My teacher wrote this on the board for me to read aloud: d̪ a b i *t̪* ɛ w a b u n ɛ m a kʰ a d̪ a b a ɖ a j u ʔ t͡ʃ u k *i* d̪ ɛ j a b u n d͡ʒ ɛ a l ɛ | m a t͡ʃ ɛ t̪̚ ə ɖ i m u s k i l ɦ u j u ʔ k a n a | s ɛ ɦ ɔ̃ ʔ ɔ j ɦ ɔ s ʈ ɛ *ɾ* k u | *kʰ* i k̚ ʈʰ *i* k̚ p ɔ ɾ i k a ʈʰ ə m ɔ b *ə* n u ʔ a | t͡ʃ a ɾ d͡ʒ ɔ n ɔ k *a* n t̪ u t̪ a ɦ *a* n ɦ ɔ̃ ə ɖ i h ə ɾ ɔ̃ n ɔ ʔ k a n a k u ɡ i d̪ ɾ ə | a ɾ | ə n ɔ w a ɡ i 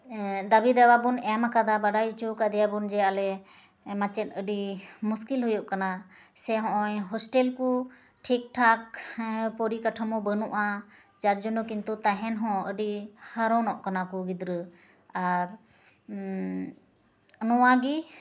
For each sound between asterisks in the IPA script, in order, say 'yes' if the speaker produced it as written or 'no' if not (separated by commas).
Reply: no, no, no, no, no, yes, no, no